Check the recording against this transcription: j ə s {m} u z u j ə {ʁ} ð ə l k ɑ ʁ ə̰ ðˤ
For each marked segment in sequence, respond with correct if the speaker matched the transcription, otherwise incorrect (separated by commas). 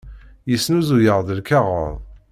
incorrect, correct